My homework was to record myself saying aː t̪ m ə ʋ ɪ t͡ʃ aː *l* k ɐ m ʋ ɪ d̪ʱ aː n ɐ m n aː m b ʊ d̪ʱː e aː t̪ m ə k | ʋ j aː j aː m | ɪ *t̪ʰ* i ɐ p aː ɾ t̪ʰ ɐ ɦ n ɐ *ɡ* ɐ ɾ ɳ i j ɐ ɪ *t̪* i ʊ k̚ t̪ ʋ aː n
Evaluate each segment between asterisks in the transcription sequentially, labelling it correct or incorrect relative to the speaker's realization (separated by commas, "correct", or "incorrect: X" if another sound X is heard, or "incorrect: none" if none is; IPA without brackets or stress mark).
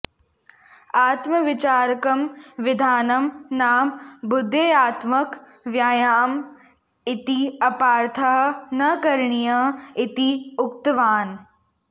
incorrect: ɾ, incorrect: t̪, incorrect: k, correct